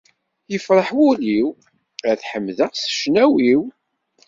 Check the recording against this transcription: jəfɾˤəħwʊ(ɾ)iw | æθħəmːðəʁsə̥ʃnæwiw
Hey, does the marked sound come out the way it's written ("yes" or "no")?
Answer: no